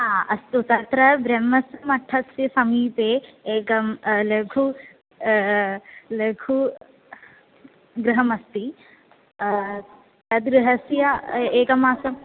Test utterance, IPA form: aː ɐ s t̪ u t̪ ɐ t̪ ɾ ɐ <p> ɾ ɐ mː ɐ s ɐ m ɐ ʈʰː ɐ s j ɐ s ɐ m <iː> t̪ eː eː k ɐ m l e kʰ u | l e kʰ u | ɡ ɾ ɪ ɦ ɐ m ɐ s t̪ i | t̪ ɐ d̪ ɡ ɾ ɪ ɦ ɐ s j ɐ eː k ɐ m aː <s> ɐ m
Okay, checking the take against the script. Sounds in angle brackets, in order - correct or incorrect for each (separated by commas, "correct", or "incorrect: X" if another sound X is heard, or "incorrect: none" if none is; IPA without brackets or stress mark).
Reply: incorrect: b, correct, correct